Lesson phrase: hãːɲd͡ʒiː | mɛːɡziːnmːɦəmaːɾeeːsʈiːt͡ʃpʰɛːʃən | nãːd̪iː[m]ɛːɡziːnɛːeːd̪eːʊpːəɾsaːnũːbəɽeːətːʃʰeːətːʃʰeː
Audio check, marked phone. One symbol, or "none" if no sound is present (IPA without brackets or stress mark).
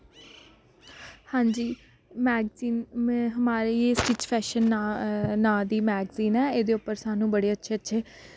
m